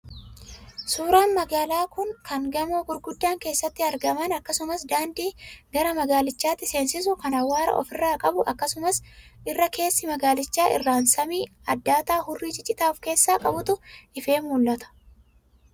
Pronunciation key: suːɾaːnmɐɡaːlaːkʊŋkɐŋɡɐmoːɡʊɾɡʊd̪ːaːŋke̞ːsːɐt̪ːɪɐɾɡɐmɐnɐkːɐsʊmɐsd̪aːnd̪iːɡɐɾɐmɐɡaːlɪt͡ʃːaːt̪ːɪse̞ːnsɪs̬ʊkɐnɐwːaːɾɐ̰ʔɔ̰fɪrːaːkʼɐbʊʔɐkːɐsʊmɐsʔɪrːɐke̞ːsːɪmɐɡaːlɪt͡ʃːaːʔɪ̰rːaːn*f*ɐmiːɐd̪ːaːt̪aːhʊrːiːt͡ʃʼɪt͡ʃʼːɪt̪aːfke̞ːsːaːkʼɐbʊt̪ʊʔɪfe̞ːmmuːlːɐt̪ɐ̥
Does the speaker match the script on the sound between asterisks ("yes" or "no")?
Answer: no